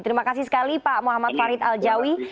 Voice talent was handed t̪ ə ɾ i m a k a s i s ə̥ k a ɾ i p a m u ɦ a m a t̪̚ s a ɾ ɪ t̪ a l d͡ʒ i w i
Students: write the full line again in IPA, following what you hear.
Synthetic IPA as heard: t̪ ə ɾ i m a k a s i s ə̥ k a l i p a m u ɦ a m a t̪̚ f a ɾ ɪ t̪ a l d͡ʒ a w i